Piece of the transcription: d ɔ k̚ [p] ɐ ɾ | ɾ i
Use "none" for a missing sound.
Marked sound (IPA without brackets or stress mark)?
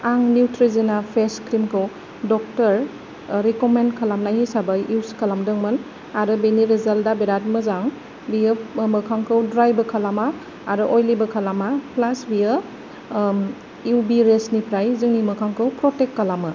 t